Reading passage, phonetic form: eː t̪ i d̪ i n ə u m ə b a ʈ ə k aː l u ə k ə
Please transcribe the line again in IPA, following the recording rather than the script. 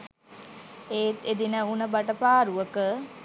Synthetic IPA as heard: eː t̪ e d̪ i n ə u n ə b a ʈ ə p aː ɾ u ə k ə